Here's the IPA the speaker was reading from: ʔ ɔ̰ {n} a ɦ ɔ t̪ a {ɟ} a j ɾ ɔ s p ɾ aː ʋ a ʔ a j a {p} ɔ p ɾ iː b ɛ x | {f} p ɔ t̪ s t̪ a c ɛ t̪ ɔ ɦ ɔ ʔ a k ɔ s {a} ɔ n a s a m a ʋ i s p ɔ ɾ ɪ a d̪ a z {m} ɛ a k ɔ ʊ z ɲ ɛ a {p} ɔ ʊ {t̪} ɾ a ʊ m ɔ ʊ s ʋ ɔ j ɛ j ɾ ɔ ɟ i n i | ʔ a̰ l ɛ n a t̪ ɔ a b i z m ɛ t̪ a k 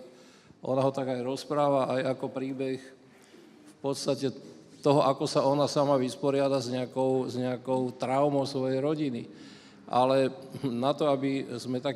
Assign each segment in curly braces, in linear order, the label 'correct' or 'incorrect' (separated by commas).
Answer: correct, incorrect, incorrect, correct, correct, incorrect, incorrect, correct